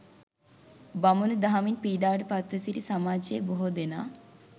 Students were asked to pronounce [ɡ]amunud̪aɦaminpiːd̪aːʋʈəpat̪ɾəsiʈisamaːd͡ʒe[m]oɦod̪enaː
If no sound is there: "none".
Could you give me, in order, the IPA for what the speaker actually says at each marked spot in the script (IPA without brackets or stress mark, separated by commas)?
b, b